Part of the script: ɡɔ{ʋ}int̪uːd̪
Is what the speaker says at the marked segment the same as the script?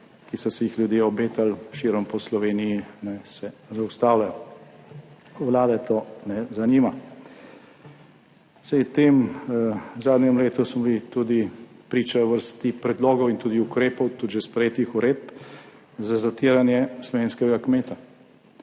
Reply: no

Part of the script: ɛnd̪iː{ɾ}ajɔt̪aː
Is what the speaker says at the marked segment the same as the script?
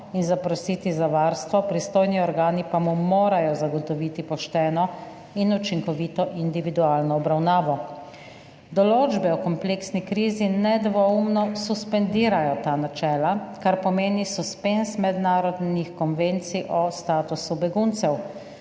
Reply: yes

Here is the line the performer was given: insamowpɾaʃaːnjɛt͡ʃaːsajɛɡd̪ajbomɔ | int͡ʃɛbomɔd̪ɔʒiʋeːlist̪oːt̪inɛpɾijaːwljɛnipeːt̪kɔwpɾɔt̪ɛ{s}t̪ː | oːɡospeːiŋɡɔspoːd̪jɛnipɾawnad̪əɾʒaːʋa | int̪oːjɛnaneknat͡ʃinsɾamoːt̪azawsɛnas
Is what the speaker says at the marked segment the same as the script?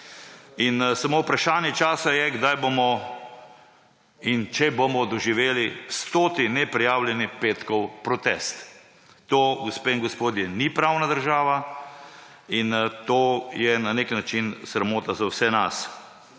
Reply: yes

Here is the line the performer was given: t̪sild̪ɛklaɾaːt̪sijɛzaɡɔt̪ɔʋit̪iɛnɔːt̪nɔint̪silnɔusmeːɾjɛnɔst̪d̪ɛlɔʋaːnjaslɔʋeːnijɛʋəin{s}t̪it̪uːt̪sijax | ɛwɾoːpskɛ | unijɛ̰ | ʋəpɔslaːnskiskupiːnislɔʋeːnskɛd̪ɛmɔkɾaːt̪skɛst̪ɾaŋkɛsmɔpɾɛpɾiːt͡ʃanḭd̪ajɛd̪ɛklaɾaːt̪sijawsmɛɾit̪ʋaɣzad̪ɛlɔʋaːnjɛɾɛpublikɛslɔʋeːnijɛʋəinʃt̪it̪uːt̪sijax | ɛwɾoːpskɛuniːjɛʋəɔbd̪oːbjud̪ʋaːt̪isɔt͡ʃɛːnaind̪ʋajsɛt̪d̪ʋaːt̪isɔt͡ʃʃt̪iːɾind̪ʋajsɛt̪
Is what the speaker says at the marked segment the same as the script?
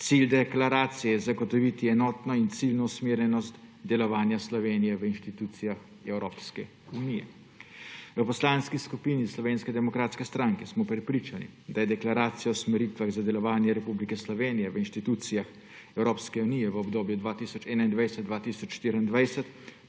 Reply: no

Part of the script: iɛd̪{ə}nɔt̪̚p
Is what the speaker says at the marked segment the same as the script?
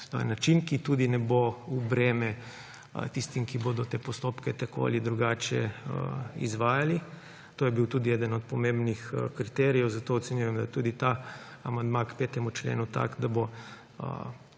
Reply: yes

